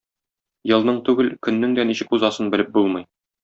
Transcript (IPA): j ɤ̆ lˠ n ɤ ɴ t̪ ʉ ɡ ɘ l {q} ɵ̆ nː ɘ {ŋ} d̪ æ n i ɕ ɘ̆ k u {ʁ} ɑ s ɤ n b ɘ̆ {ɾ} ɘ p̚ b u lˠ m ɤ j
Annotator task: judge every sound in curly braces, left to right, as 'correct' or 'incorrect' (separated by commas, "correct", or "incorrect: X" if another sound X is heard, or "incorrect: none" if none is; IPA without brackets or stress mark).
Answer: incorrect: k, correct, incorrect: z, incorrect: l